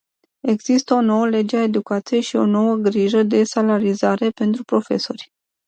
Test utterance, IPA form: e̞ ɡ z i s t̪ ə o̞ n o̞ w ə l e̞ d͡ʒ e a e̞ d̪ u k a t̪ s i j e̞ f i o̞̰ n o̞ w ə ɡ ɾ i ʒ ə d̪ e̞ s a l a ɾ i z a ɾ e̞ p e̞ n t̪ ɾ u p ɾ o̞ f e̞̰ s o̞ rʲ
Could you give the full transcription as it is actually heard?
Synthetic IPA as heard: e̞ ɡ z i s t̪ ə o̞ n o̞ w ə l e̞ d͡ʒ e a e̞ d̪ u k a t̪ s i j e̞ ʃ i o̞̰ n o̞ w ə ɡ ɾ i ʒ ə d̪ e̞ s a l a ɾ i z a ɾ e̞ p e̞ n t̪ ɾ u p ɾ o̞ f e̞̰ s o̞ rʲ